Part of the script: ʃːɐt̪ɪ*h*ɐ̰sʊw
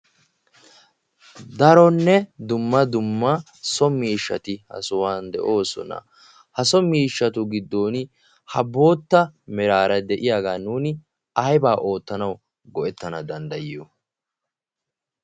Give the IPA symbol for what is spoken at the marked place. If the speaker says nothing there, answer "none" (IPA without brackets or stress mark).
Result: h